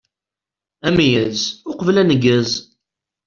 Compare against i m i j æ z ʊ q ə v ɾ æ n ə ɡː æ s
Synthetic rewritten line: æ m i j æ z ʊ q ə v l æ n ə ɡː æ z